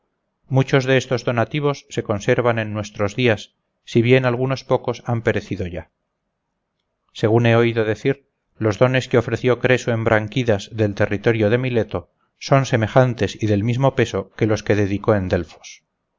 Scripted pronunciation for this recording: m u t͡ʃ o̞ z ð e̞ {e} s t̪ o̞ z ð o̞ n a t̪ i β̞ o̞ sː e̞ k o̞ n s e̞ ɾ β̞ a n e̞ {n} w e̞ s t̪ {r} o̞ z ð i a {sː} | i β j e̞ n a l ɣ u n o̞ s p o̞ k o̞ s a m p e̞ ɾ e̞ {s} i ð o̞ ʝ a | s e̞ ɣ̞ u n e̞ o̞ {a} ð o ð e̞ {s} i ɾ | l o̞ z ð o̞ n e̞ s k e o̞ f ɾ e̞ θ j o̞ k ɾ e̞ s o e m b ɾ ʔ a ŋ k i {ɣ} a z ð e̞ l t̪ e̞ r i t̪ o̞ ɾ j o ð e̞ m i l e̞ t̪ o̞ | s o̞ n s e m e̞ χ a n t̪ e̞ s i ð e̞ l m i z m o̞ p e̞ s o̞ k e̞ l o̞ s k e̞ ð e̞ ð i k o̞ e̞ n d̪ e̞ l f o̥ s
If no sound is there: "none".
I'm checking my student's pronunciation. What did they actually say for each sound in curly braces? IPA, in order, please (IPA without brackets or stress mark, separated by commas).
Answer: e, nː, ɾ, sː, θ, i, θ, ð